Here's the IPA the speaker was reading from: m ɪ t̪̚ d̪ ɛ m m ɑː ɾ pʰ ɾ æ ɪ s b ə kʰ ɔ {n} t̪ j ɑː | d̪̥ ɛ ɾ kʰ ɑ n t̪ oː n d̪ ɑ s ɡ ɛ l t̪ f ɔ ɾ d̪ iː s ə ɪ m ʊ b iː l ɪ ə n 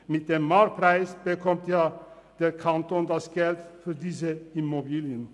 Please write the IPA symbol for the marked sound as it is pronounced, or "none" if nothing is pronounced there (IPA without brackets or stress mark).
m